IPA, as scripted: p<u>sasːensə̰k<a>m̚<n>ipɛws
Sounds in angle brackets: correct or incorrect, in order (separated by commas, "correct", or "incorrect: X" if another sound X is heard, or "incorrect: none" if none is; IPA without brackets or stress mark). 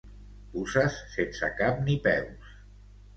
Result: correct, correct, correct